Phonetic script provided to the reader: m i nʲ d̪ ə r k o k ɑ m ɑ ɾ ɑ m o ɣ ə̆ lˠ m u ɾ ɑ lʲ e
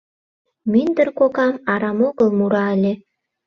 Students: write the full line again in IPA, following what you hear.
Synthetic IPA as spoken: m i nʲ d̪ ə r k o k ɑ m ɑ ɾ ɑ m o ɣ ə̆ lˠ m u ɾ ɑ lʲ e